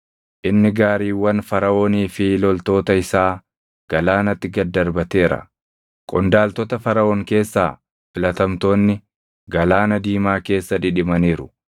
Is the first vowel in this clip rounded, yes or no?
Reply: no